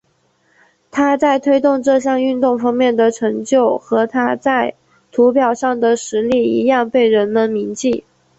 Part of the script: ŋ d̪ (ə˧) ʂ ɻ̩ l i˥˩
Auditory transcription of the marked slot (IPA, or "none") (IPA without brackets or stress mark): ə˩